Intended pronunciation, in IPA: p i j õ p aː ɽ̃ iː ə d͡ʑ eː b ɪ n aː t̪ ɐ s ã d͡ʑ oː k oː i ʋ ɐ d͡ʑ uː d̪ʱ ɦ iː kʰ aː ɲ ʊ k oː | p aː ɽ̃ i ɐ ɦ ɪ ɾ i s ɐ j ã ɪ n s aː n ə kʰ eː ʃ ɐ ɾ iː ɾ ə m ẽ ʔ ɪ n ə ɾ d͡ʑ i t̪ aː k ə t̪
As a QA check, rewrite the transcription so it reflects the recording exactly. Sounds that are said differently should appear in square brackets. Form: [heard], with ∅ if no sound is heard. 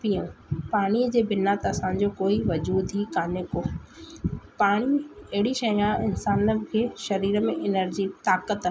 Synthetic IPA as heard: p i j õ p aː ɽ̃ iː ə d͡ʑ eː b ɪ n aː t̪ ɐ s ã d͡ʑ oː k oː i ʋ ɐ d͡ʑ uː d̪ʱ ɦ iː [k] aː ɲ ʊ k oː | p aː ɽ̃ i ɐ ɦ ɪ [ɽ] i [ʃ] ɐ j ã ɪ n s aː n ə kʰ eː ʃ ɐ ɾ iː ɾ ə m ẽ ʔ ɪ n ə ɾ d͡ʑ i t̪ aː k ə t̪